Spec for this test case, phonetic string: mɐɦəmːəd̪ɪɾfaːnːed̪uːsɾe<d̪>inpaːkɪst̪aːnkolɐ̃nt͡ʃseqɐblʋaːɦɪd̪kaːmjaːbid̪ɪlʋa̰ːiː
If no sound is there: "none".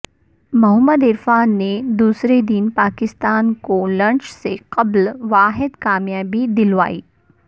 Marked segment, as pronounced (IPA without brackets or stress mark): d̪